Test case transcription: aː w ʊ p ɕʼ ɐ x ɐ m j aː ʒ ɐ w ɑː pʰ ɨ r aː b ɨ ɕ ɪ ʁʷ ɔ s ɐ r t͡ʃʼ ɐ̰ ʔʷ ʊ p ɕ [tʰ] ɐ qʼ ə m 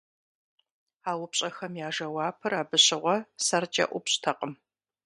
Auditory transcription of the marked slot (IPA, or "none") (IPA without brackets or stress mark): tʰ